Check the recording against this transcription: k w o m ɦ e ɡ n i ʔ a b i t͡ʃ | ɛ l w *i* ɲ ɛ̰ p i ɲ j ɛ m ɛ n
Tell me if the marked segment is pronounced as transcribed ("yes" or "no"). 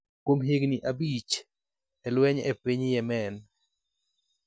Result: no